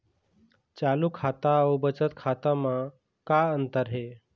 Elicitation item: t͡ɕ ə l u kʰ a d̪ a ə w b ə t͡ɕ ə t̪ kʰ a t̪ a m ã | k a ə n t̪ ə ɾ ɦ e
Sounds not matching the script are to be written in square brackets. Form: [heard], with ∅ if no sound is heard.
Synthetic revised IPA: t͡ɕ [a] l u kʰ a [t̪] a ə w b ə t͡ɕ ə t̪ kʰ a t̪ a m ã | k a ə n t̪ ə ɾ ɦ e